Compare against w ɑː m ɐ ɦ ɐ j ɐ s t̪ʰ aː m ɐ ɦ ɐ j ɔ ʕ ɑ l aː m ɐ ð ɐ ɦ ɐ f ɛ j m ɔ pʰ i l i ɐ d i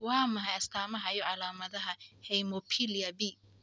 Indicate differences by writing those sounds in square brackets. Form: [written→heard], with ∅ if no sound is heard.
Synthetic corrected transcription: w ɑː m ɐ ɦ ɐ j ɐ s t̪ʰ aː m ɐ ɦ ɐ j ɔ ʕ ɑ l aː m ɐ ð ɐ ɦ ɐ [f→h] ɛ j m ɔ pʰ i l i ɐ [d→b] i